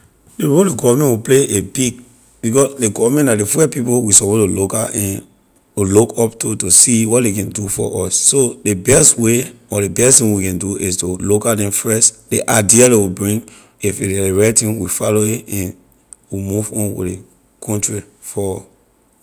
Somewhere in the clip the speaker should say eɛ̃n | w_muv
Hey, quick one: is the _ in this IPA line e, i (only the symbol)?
i